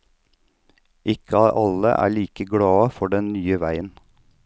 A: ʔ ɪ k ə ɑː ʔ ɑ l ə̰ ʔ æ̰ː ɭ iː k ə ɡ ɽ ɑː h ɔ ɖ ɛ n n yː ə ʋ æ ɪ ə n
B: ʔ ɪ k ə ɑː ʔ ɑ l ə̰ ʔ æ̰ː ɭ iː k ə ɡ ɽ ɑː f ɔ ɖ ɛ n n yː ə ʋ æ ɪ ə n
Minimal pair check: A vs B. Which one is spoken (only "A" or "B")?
B